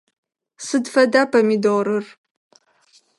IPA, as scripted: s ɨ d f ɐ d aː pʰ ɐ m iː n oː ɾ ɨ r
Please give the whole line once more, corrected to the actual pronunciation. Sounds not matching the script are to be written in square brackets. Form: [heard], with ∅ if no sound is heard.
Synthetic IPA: s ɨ d f ɐ d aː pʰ ɐ m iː [d] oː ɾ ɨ r